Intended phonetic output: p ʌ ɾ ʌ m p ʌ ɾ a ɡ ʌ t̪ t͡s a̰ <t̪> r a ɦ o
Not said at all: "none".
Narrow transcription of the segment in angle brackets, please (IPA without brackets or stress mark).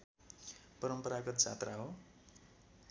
t̪